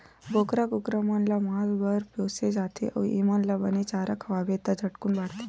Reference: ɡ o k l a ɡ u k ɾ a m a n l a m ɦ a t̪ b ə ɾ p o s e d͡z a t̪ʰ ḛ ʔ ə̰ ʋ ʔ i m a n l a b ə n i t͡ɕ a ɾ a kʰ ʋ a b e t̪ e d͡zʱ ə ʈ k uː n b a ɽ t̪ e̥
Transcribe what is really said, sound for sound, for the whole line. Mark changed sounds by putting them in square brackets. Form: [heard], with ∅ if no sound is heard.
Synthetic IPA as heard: ɡ o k [ɾ] a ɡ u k ɾ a m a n l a m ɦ a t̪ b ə ɾ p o s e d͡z a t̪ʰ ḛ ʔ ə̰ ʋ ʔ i m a n l a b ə n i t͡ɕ a ɾ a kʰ ʋ a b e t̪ [a] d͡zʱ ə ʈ k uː n b a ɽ t̪ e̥